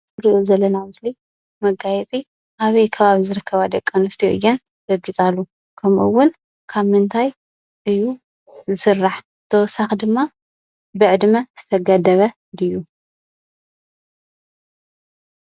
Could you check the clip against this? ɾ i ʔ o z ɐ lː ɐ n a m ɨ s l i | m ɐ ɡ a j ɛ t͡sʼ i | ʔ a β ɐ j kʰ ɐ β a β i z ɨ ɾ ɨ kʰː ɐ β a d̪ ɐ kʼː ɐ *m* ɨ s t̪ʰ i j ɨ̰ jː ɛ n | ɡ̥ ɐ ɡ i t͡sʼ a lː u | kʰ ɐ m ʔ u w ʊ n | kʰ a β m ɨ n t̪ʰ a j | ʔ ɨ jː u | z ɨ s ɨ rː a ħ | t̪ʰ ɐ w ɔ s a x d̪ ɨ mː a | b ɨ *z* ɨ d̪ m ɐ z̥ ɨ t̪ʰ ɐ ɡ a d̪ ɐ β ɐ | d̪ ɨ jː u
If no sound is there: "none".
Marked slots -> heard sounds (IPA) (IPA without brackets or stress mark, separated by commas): n, ʕ